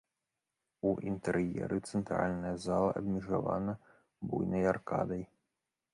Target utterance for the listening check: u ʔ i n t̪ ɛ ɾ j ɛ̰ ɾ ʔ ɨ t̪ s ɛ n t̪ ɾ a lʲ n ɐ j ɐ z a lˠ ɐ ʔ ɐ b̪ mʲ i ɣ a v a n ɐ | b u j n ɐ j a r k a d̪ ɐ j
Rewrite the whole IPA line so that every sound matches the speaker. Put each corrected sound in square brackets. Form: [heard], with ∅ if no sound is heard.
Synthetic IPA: u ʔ i n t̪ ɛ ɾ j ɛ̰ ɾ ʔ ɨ t̪ s ɛ n t̪ ɾ a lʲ n ɐ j ɐ z a lˠ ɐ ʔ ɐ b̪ mʲ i [ʐ] a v a n ɐ | b u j n ɐ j a r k a d̪ ɐ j